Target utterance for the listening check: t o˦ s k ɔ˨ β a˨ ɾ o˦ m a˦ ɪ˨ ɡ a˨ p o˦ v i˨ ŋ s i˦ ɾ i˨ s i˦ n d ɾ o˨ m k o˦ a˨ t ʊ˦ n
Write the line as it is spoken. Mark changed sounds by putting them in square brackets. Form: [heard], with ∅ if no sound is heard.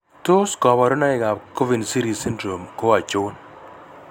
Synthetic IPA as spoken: t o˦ s k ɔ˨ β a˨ ɾ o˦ [n] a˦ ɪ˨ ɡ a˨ [k] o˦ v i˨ [n] s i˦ ɾ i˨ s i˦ n d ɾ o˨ m k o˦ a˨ [t͡ʃ] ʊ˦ n